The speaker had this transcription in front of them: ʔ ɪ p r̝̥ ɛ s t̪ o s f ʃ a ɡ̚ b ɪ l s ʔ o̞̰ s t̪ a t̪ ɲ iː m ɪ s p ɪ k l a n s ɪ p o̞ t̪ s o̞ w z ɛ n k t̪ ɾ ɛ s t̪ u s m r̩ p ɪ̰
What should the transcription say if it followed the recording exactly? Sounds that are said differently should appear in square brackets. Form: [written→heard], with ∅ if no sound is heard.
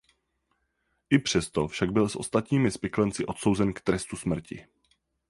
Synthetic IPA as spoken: ʔ ɪ p r̝̥ ɛ s t̪ o [s→∅] f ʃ a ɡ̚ b ɪ l s ʔ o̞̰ s t̪ a t̪ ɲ iː m ɪ s p ɪ k l [a→ɛ] n [s→t͡s] ɪ [p→ʔ] o̞ t̪ s o̞ w z ɛ n k t̪ ɾ ɛ s t̪ u s m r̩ [p→c] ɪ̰